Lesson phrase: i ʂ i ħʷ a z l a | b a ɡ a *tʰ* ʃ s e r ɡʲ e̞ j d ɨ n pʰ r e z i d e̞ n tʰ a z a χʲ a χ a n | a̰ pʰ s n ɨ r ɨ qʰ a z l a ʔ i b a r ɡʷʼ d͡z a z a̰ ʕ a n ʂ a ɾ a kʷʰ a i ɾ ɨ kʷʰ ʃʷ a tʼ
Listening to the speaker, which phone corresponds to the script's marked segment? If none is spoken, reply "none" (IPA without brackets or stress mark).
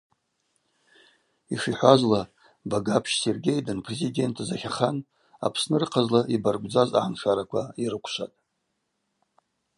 pʰ